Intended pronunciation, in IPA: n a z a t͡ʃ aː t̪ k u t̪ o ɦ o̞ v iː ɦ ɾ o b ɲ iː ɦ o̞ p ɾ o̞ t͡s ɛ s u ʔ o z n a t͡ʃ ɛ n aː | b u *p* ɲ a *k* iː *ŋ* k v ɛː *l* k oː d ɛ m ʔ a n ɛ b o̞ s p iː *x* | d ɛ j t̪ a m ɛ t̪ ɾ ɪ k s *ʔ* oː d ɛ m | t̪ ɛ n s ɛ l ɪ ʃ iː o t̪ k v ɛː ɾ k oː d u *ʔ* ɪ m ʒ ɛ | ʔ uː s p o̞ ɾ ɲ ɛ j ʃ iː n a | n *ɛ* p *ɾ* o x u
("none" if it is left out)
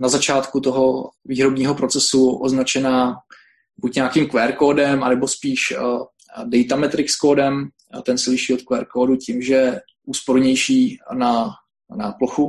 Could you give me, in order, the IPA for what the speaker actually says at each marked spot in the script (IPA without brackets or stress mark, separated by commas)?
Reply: c, k, m, ɾ, ʃ, k, c, a, l